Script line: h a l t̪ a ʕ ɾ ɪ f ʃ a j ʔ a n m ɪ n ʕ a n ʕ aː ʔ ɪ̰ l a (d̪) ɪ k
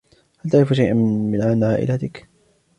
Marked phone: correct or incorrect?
incorrect